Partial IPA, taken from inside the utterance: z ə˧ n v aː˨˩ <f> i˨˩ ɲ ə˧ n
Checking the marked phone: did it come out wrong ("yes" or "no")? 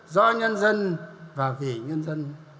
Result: yes